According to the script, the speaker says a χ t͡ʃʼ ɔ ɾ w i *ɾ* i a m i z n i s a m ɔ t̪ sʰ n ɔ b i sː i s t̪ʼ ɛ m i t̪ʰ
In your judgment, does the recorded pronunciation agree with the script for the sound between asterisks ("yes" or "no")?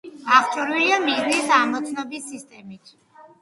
no